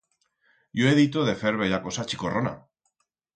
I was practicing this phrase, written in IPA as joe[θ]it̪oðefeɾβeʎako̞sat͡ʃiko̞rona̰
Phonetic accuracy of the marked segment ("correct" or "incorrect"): incorrect